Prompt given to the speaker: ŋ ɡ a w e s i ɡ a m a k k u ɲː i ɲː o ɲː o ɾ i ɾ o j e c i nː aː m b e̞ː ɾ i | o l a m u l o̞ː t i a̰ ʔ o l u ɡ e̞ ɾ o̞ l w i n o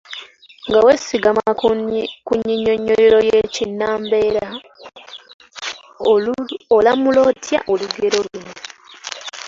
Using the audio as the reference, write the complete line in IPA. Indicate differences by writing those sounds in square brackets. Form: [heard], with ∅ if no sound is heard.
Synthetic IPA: ŋ ɡ a w e s i ɡ a m a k k u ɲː i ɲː o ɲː o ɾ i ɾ o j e c i nː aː m b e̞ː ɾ [a] | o l a m u l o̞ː t [j] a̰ ʔ o l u ɡ e̞ ɾ o̞ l w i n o